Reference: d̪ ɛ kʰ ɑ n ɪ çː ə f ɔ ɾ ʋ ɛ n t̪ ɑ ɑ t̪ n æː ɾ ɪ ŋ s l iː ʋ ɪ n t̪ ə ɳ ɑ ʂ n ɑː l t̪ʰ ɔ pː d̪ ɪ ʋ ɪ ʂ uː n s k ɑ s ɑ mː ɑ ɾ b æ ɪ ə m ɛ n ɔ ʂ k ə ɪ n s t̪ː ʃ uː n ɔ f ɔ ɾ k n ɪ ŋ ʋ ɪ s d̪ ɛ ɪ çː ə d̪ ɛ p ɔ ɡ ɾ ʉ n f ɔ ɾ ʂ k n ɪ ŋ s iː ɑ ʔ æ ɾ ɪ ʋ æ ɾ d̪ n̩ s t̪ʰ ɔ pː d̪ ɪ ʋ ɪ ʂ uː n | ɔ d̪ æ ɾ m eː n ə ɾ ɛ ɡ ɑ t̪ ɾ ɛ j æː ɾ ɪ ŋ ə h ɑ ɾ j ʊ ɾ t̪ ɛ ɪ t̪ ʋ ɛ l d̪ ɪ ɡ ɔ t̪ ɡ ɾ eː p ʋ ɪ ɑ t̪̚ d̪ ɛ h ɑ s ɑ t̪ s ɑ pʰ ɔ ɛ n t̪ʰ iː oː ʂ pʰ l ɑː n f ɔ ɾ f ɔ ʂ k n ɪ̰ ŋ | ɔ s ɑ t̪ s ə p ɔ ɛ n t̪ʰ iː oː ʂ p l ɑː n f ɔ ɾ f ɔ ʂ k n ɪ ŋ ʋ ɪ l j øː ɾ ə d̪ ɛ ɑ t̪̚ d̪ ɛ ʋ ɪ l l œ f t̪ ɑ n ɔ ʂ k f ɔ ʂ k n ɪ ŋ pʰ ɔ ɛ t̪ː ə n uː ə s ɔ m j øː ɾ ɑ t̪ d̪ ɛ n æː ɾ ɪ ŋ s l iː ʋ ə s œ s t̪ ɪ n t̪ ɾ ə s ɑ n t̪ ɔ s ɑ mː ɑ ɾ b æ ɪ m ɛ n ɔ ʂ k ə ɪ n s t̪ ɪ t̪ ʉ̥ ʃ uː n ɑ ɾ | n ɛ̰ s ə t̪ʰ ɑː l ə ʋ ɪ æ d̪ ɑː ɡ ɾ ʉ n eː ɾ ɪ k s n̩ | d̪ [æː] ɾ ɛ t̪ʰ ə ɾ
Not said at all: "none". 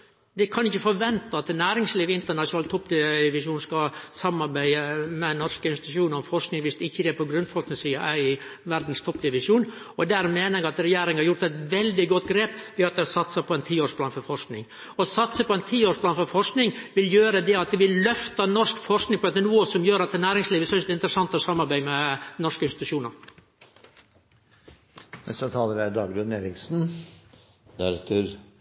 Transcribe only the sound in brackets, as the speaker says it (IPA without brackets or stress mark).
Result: æ